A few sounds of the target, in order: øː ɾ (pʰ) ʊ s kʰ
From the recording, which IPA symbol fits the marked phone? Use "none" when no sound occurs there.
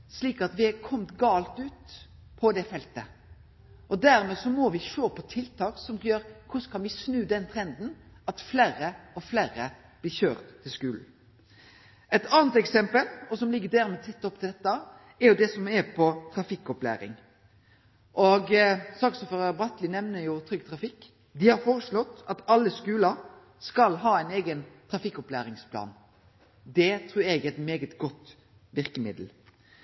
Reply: kʰ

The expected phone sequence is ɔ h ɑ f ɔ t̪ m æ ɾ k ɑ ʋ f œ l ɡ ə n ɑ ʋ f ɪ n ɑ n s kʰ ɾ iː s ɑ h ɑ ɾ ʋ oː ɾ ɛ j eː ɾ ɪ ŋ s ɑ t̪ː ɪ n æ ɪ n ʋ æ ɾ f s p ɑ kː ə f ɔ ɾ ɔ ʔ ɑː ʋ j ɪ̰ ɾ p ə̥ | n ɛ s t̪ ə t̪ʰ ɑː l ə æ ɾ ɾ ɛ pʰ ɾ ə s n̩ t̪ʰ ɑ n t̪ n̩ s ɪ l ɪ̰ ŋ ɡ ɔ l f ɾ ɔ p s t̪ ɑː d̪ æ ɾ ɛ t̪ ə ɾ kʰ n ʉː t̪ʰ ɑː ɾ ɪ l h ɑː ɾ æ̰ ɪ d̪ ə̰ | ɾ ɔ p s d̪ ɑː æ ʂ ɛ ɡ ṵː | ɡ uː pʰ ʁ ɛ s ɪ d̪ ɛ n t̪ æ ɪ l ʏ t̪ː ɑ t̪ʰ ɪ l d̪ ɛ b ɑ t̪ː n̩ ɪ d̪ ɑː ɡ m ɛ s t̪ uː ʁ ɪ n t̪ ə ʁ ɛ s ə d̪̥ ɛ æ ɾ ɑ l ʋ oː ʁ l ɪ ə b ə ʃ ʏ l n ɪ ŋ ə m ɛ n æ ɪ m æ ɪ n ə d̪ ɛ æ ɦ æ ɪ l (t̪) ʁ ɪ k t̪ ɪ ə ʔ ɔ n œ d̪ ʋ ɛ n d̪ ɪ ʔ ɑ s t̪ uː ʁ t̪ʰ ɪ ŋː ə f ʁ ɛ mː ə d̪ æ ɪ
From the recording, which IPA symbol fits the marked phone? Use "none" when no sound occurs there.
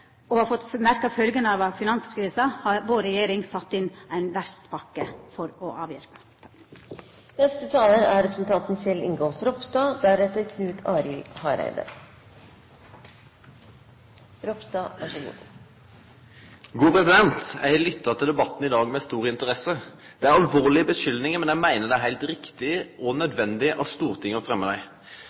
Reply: t̪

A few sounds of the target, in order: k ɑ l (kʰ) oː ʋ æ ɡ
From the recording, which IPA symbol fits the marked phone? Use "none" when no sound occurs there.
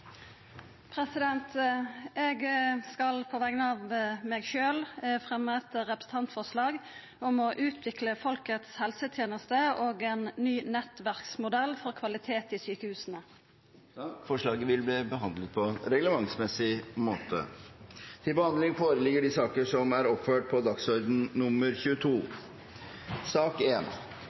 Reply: pʰ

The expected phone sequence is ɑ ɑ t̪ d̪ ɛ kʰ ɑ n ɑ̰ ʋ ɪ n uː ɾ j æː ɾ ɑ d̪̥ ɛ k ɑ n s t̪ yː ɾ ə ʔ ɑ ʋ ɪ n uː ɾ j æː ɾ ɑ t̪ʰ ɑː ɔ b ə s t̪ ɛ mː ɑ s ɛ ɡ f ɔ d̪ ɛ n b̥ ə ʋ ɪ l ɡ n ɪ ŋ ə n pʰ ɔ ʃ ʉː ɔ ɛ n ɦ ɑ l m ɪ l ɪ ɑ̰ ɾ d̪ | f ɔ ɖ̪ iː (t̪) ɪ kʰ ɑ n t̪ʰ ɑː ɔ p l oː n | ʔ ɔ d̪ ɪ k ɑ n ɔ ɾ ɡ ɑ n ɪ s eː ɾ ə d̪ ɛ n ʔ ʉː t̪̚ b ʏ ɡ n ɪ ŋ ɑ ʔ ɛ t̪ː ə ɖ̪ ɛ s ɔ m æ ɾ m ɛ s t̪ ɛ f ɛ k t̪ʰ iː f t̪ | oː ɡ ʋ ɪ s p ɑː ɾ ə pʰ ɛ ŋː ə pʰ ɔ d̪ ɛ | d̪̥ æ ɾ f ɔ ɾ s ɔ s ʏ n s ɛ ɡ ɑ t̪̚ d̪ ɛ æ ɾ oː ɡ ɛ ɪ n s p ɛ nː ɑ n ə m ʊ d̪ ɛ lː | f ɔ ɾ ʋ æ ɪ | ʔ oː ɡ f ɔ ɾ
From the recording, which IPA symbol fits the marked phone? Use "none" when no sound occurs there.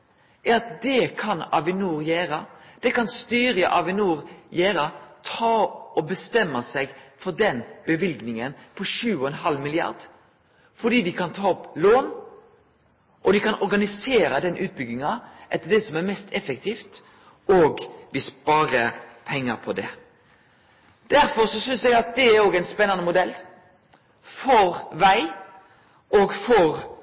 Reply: d̪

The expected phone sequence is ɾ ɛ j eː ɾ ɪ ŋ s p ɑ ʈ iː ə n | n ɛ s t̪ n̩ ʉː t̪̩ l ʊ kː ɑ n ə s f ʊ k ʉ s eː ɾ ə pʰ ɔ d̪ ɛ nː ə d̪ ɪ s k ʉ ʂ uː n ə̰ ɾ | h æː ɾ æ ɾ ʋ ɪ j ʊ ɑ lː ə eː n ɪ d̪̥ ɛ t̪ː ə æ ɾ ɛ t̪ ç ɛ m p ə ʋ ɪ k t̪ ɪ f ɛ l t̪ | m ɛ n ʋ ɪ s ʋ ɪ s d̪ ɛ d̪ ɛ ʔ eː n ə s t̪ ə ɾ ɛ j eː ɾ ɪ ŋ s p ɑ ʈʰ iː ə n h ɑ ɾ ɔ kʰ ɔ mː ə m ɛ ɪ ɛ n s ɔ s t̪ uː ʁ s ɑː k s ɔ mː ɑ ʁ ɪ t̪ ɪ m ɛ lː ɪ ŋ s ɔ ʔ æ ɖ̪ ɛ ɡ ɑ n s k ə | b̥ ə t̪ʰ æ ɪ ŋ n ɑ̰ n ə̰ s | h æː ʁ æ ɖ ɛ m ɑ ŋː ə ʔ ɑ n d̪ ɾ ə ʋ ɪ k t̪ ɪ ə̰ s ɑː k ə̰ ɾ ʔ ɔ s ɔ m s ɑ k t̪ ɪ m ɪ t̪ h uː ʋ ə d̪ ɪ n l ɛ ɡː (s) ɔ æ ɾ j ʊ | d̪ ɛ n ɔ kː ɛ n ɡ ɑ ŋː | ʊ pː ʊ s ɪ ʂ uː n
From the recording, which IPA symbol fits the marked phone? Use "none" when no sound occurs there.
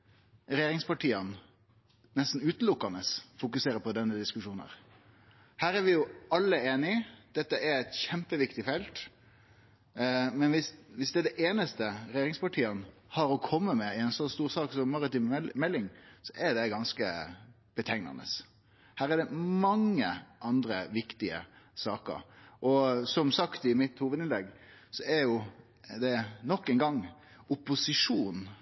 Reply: s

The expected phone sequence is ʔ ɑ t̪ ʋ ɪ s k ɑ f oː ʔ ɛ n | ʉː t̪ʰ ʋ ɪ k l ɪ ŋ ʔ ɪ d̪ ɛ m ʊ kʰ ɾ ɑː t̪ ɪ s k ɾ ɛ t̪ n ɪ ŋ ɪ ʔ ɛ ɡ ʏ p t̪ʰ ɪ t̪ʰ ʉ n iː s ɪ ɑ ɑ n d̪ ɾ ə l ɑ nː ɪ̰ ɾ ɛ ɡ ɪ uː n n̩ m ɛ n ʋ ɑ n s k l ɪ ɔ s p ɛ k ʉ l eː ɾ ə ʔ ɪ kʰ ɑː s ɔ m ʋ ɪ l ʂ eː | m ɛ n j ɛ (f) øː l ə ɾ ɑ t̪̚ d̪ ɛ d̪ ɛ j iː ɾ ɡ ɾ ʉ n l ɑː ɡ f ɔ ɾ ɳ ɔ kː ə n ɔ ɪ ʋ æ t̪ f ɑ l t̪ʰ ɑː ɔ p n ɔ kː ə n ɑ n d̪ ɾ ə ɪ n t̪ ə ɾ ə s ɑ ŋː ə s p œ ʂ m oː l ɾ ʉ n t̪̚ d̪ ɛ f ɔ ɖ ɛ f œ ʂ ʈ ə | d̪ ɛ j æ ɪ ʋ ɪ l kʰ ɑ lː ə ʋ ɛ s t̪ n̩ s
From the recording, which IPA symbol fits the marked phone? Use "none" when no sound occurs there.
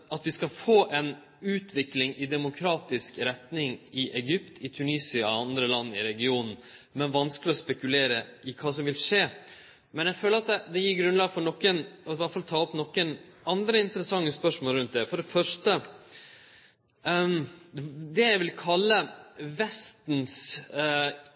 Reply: f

